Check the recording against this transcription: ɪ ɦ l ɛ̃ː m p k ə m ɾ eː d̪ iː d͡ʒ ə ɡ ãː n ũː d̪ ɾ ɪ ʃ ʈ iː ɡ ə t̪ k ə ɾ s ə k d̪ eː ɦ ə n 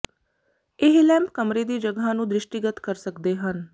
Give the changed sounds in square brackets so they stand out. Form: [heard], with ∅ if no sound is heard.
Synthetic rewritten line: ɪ ɦ l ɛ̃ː m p k ə m ɾ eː d̪ iː d͡ʒ ə ɡ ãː n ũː d̪ ɾ ɪ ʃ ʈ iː ɡ ə t̪ k ə ɾ s ə k d̪ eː ɦ ə n